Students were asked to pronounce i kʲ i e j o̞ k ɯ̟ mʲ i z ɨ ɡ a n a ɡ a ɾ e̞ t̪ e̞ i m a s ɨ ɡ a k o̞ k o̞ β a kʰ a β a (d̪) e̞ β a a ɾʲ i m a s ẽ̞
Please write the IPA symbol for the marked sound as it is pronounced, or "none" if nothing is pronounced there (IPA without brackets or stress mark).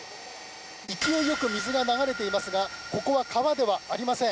d̪